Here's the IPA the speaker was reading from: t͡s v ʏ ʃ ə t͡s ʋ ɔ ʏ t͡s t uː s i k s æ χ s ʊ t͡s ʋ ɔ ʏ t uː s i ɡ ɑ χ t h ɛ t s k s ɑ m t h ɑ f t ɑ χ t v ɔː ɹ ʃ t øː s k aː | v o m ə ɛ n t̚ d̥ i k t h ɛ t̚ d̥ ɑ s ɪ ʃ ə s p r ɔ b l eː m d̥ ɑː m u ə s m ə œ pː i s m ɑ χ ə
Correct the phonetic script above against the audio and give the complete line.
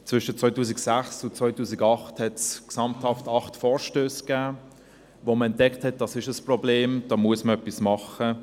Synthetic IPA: t͡s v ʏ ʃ ə t͡s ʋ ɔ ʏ t uː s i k s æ χ s ʊ t͡s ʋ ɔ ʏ t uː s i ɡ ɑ χ t h ɛ t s k s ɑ m t h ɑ f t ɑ χ t f ɔː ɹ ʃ t øː s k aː | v o m ə ɛ n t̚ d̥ ɛ k t h ɛ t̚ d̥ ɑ s ɪ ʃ ə s p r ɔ b l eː m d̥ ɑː m u ə s m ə œ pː i s m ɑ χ ə